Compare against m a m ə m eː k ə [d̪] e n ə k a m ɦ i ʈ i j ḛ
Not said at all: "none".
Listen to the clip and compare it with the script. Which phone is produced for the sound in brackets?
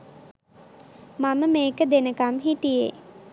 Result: d̪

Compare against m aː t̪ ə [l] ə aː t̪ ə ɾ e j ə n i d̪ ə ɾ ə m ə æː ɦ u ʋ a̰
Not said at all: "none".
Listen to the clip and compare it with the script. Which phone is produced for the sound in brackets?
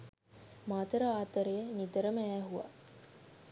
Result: ɾ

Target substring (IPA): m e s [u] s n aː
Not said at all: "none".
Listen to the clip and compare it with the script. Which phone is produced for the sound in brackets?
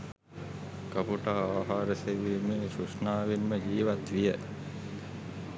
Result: u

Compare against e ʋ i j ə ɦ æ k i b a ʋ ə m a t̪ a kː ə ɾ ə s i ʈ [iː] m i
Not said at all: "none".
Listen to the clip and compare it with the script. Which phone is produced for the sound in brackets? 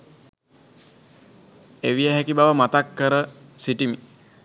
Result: i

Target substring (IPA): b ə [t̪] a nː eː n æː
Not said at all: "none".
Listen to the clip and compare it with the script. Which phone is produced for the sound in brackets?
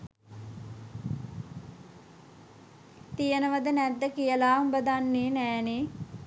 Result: d̪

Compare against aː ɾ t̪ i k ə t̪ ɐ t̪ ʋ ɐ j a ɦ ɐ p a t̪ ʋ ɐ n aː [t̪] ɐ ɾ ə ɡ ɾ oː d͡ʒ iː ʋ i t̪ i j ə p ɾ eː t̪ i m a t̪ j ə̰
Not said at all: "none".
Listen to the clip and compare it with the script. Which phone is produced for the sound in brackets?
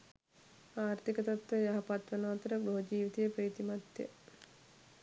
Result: t̪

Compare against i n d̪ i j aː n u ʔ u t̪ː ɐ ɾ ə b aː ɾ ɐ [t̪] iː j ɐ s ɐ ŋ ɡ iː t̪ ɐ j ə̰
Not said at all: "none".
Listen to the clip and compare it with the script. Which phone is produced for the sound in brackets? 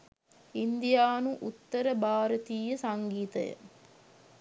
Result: t̪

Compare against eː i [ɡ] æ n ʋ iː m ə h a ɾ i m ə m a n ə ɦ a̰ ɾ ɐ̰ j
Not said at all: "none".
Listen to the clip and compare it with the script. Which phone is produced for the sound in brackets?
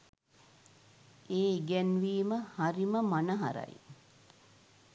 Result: ɡ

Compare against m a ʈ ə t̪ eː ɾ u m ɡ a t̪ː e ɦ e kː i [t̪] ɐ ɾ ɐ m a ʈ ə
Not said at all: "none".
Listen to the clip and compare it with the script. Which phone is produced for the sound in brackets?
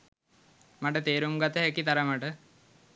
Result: t̪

